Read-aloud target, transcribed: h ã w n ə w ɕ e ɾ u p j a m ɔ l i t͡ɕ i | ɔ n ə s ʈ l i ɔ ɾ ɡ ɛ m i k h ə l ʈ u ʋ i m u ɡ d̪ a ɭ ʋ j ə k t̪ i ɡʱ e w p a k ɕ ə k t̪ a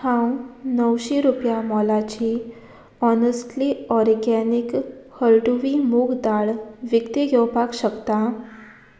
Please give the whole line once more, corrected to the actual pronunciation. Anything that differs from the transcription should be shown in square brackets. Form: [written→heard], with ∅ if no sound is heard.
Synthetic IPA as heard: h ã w n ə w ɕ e ɾ u p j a m ɔ l [i→a] t͡ɕ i | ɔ n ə s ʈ l i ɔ ɾ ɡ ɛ [m→n] i k h ə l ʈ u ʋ i m u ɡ d̪ a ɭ ʋ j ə k t̪ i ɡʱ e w p a k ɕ ə k t̪ a